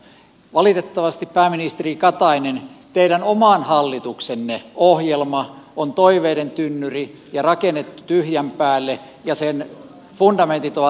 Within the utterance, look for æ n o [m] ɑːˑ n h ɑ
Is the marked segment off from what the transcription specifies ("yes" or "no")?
no